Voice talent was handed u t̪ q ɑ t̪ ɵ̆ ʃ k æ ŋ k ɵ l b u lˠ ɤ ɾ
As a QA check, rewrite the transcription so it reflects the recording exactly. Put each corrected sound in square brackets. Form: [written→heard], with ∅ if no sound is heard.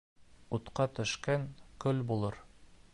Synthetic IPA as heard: u t̪ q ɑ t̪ ɵ̆ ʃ k æ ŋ k ɵ l b u lˠ ɤ ɾ